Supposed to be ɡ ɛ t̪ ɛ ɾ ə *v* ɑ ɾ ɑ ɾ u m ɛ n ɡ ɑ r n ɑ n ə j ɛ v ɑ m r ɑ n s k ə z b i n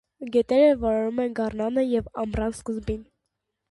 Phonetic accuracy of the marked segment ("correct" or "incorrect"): correct